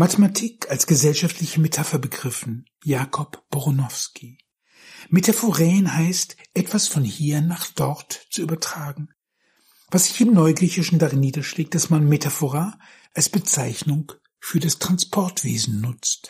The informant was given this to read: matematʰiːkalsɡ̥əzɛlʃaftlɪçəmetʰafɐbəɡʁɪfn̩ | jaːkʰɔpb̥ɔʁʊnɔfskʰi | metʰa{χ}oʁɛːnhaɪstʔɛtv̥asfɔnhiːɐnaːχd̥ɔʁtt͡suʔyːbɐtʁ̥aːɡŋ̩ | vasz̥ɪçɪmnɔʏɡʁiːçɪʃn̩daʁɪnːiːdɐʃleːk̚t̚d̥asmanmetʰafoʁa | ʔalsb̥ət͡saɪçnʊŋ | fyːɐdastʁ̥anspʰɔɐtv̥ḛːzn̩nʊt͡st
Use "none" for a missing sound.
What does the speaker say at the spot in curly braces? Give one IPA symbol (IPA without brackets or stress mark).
f